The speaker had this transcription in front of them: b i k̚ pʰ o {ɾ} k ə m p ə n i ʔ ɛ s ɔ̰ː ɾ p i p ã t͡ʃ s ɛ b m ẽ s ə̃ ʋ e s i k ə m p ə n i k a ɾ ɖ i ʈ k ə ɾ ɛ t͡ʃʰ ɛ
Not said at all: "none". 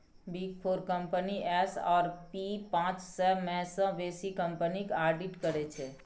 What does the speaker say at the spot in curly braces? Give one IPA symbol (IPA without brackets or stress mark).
ɾ